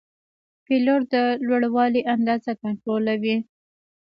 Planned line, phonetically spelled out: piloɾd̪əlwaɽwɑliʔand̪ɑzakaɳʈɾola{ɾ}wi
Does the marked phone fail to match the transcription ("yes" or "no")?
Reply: yes